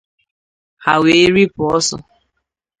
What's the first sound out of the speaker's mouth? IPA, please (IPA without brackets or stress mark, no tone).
h